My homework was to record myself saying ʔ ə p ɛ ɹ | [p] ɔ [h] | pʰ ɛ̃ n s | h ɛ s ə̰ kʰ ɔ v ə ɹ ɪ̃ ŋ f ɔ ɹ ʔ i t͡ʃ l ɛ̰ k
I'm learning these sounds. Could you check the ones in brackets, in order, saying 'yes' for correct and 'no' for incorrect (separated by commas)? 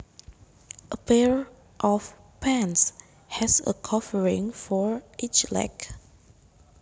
no, no